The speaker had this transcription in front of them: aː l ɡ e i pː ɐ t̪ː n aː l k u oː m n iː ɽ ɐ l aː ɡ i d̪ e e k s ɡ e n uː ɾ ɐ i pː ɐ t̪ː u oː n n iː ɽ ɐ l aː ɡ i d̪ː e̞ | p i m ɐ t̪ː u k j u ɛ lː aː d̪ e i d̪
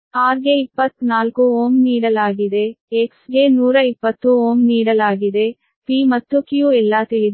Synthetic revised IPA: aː ɾ ɡ e i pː ɐ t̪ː n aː l k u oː m n iː ɽ ɐ l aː ɡ i d̪ e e k s ɡ e n uː ɾ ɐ i pː ɐ t̪ː u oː m n iː ɽ ɐ l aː ɡ i d̪ e̞ | p i m ɐ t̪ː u k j u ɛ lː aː t̪ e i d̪